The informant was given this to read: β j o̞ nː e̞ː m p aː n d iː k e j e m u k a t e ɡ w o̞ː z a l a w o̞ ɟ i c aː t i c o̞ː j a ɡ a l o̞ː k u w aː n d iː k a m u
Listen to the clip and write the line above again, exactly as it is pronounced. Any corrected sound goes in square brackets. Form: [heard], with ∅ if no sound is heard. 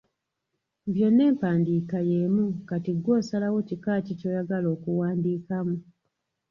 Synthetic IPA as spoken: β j o̞ nː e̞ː m p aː n d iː k [a] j e m u k a t [i] ɡ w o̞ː [s] a l a w o̞ [c] i [k] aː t i c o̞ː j a ɡ a l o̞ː k u w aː n d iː k a m u